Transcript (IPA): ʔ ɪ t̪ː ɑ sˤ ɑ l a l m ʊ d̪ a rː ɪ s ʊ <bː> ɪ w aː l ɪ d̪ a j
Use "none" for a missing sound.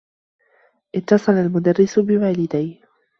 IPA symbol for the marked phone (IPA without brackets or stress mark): b